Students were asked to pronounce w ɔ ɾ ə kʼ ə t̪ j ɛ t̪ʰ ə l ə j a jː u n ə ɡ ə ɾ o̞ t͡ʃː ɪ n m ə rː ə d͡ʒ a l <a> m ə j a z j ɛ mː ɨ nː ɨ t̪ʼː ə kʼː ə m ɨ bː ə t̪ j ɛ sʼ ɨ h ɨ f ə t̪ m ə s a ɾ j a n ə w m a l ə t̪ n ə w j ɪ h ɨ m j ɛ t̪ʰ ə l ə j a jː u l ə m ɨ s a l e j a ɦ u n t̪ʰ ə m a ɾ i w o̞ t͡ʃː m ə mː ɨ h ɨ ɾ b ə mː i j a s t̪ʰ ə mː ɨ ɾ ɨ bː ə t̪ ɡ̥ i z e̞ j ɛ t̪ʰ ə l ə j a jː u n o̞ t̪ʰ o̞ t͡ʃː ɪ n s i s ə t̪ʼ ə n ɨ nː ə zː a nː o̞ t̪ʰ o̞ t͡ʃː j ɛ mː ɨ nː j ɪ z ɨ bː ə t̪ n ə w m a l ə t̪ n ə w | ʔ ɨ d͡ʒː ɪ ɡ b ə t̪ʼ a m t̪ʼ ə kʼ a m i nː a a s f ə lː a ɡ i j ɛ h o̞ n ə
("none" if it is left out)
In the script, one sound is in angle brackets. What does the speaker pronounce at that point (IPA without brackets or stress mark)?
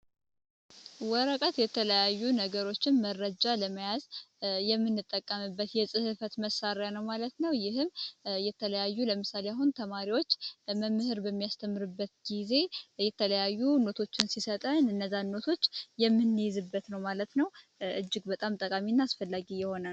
ə